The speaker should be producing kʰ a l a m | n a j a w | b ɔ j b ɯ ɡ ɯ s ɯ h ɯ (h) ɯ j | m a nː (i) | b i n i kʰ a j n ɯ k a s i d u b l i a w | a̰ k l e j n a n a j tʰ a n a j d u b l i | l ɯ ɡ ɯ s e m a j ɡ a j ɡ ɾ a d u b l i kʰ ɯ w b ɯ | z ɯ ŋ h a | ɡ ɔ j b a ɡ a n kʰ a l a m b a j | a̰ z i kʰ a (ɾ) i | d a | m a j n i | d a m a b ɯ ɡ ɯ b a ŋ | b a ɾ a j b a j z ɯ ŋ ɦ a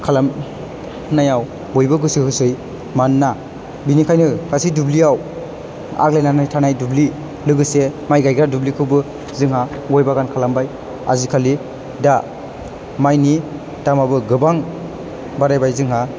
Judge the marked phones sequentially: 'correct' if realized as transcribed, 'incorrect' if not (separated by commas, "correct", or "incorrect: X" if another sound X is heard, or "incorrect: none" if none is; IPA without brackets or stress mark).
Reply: incorrect: s, incorrect: a, incorrect: l